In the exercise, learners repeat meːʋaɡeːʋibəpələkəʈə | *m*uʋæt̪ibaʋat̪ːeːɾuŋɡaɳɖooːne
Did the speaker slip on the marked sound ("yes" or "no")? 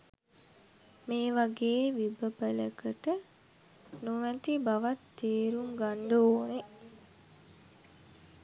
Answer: yes